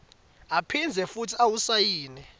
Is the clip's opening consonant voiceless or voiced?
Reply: voiceless